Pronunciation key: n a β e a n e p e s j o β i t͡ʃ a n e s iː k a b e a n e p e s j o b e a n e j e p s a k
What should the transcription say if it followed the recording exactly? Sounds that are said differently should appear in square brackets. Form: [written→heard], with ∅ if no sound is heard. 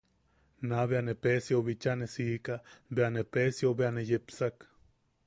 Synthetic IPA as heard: n a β e a n e p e s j o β i t͡ʃ a n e s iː k a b e a n e p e s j o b e a n e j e p s a k